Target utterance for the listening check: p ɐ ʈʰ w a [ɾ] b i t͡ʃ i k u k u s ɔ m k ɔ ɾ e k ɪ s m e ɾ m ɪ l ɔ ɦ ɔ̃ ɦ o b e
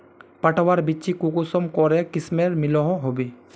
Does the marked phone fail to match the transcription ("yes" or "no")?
no